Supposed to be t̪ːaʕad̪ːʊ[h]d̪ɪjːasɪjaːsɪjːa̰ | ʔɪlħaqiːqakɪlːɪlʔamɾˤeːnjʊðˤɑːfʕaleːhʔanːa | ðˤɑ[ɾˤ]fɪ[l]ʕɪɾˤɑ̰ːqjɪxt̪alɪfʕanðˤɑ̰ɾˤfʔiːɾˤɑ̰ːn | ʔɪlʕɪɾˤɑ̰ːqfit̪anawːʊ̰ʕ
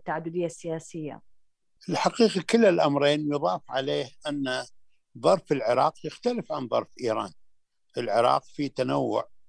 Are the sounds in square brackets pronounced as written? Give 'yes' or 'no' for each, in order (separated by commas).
no, yes, yes